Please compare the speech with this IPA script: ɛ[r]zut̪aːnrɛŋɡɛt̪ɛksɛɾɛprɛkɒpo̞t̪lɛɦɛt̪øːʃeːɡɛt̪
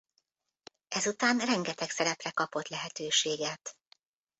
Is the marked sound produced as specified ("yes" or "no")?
no